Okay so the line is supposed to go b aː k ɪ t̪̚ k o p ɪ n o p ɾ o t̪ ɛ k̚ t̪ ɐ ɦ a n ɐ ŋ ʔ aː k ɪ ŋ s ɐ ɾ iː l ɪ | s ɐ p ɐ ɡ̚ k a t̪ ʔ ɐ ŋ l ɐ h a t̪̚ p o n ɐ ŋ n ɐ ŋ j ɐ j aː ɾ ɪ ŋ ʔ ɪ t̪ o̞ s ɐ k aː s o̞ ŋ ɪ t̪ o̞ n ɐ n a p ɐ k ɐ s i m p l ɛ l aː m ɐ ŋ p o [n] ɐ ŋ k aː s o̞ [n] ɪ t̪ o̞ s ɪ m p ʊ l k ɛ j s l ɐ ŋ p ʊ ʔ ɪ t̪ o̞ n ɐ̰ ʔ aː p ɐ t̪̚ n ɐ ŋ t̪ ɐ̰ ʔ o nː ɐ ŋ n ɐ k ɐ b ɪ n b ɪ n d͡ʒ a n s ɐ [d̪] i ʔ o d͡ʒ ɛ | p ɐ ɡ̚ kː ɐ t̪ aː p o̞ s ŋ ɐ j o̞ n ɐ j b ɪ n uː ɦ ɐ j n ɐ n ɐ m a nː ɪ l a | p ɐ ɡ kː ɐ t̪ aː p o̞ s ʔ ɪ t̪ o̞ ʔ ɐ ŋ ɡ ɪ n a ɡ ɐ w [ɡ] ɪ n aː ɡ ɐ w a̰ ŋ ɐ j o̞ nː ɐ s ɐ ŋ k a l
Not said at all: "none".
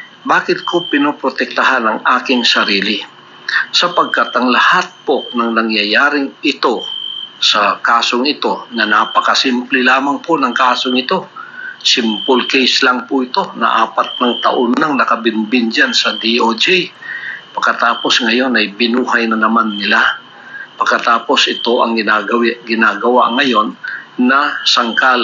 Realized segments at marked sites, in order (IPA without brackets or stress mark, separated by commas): n, ŋ, d̪, ɡ